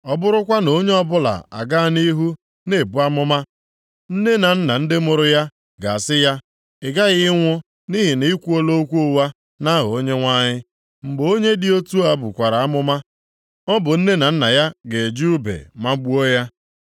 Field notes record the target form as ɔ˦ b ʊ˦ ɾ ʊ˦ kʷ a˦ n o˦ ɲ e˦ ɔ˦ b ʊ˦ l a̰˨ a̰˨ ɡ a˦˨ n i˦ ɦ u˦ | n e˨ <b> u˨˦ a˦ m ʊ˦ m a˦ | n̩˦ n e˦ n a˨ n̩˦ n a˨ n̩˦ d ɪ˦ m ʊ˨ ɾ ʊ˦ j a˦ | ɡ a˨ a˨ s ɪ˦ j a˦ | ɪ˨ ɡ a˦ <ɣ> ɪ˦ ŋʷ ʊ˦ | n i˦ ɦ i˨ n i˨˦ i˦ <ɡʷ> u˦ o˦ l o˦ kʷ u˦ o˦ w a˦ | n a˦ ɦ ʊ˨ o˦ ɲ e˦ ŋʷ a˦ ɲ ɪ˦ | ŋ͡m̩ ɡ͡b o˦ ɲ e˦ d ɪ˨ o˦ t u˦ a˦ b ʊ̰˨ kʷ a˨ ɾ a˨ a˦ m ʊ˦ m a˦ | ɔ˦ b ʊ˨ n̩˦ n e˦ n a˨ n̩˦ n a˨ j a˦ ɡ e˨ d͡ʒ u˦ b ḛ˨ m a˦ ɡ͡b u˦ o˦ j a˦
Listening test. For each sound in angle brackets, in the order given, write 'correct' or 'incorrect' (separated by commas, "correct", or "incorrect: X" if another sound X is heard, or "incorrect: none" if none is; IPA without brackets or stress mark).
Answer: correct, correct, incorrect: kʷ